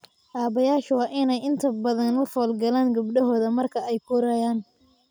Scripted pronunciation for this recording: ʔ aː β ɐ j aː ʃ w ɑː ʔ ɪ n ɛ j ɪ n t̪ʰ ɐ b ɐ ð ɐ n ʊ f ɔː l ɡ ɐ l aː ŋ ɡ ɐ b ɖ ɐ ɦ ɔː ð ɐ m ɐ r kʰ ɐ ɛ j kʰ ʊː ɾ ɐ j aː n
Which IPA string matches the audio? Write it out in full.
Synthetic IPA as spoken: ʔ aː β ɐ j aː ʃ w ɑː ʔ ɪ n ɛ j ɪ n t̪ʰ ɐ b ɐ ð ɐ n ʊ f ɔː l ɡ ɐ l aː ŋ ɡ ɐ b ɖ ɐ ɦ ɔː ð ɐ m ɐ r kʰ ɐ ɛ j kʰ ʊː ɾ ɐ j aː n

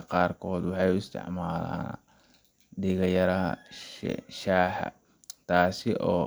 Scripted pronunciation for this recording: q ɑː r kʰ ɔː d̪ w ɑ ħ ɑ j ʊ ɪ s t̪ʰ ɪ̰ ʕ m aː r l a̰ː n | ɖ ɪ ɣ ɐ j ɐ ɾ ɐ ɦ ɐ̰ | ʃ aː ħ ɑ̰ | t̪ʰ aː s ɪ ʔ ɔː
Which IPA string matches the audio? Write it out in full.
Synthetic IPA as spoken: q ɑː r kʰ ɔː d̪ w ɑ ħ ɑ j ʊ ɪ s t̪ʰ ɪ̰ ʕ m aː l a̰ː n | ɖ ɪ ɣ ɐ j ɐ ɾ ɐ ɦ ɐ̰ | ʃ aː ħ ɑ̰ | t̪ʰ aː s ɪ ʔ ɔː

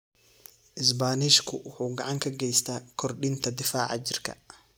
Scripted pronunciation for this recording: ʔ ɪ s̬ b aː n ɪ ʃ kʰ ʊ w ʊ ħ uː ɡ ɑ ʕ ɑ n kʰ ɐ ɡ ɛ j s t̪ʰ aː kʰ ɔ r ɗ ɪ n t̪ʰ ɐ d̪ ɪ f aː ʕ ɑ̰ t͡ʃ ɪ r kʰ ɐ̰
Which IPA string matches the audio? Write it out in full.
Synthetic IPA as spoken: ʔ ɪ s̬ b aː n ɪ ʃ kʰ ʊ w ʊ ħ uː ɡ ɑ ʕ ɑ ŋ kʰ ɐ ɡ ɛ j s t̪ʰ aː kʰ ɔ r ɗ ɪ n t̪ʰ ɐ d̪ ɪ f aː ʕ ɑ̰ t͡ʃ ɪ r kʰ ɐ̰

